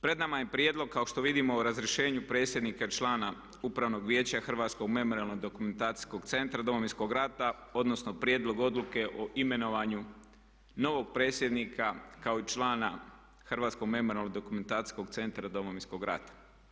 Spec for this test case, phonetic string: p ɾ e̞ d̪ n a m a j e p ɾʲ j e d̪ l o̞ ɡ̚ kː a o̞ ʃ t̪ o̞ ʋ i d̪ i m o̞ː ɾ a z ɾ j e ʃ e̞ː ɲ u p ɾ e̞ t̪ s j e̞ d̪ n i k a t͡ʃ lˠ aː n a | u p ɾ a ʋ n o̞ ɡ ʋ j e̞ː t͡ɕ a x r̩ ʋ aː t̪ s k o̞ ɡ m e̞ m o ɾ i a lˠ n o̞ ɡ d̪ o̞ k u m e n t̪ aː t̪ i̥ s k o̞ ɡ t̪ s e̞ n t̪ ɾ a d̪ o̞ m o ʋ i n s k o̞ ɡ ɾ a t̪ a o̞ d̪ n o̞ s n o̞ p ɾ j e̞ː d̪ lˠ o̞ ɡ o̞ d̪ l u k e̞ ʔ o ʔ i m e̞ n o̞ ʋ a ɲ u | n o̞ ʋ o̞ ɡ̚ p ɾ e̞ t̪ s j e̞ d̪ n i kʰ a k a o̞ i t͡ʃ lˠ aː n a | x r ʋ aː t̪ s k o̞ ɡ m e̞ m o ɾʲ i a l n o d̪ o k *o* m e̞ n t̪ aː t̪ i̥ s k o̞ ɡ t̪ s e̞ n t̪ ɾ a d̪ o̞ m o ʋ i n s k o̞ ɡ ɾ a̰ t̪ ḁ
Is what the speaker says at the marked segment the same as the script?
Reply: no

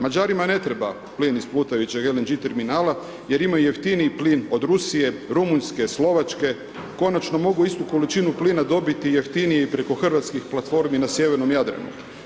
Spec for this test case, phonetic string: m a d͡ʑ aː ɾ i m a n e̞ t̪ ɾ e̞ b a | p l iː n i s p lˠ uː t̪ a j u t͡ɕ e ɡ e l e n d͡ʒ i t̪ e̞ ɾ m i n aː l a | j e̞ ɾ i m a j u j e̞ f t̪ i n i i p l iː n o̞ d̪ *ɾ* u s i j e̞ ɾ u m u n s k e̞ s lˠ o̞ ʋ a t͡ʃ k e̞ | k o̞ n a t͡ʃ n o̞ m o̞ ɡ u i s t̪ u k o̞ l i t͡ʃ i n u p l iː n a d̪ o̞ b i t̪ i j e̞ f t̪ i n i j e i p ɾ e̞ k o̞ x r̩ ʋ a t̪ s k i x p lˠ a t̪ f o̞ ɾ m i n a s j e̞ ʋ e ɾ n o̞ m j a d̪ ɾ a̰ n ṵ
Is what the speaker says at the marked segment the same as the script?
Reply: yes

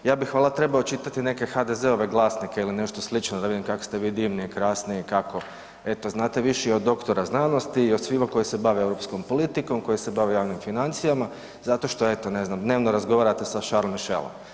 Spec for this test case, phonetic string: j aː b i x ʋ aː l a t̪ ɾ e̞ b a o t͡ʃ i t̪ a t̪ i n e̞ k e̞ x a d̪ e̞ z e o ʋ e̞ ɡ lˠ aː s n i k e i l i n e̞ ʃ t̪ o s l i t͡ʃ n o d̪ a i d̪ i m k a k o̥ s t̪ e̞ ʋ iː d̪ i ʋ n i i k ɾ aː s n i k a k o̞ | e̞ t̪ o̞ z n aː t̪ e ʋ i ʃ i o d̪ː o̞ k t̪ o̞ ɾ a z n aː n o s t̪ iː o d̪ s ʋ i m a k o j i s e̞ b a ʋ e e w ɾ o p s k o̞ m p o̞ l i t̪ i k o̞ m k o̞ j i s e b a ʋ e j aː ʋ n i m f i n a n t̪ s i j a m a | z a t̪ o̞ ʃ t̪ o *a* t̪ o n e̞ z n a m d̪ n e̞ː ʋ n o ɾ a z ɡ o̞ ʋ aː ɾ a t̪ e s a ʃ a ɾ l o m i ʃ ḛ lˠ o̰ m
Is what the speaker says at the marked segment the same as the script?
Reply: no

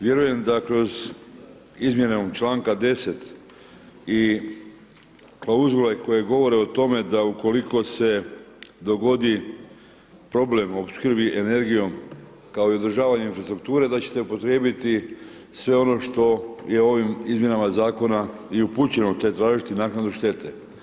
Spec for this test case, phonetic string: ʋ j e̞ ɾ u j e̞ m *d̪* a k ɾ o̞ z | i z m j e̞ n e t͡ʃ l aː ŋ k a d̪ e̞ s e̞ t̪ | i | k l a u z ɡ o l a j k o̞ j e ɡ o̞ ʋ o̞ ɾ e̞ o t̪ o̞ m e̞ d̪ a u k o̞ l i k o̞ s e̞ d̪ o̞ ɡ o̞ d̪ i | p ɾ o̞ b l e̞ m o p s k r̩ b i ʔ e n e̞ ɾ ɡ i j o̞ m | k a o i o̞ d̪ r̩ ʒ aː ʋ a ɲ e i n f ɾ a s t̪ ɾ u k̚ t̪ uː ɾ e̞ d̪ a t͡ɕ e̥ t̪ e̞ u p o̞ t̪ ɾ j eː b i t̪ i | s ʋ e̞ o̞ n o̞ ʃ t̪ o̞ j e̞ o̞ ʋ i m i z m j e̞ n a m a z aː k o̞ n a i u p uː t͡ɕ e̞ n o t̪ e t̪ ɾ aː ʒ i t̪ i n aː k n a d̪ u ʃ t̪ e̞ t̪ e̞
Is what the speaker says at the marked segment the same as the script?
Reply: yes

